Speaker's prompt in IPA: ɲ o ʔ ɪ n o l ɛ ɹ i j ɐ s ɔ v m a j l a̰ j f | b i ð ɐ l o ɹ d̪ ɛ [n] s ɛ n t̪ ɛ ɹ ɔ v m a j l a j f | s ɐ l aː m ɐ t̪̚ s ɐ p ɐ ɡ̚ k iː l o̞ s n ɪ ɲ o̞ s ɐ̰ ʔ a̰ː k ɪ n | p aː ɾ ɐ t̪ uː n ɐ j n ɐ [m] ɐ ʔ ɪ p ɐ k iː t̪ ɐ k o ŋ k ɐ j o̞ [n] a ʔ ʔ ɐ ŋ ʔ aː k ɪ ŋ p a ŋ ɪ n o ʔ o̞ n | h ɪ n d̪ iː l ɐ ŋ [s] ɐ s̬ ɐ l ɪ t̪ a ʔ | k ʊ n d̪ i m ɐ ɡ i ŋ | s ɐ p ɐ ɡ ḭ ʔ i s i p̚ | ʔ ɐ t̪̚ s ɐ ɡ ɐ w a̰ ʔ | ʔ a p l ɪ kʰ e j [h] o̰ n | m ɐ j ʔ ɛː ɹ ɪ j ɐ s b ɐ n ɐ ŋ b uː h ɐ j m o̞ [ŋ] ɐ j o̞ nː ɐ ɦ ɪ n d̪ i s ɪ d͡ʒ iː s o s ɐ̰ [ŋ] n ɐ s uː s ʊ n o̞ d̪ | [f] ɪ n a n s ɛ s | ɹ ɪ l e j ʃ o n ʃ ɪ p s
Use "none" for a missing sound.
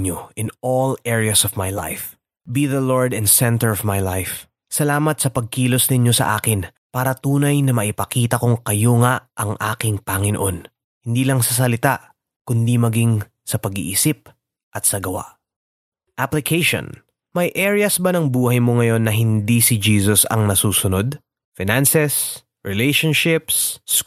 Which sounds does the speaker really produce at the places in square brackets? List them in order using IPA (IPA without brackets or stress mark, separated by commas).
n, m, ŋ, s, ʃ, ŋ, ŋ, f